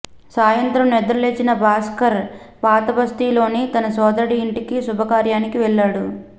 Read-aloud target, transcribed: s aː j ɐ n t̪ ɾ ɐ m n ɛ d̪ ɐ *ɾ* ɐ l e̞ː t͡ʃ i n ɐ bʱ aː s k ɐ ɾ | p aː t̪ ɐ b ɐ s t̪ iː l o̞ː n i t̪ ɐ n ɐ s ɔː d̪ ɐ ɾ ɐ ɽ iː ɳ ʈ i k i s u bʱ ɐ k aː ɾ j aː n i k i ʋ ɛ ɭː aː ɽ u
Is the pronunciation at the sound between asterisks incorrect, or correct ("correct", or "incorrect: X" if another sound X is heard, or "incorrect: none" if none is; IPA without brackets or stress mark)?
correct